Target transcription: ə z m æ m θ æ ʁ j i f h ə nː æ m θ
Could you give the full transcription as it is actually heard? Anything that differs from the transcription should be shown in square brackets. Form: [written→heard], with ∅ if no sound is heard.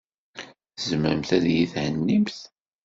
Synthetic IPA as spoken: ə z m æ m θ æ [ʁ→ð] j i [f→θ] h ə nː [æ→i] m θ